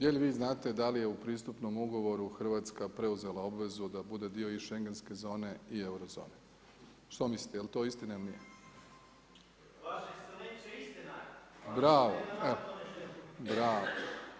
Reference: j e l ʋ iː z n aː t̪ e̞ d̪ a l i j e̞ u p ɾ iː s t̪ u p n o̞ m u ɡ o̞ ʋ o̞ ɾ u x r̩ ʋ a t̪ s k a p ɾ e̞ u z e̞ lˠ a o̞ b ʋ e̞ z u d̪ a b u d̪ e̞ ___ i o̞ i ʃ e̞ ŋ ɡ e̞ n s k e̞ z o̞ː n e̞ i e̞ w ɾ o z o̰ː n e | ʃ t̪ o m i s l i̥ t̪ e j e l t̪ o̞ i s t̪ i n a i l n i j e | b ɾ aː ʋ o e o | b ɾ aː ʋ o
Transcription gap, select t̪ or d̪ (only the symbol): d̪